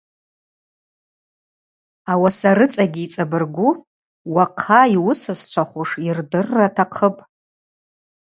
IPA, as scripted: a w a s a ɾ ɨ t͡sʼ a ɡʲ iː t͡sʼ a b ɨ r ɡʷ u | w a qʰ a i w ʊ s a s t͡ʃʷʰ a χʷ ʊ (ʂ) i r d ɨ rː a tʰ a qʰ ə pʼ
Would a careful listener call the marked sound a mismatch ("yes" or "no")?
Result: no